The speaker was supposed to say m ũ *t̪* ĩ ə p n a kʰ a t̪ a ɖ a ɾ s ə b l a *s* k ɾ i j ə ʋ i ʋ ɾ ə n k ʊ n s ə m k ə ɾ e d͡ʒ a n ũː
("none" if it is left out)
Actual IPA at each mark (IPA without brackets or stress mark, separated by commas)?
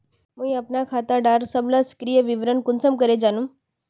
none, s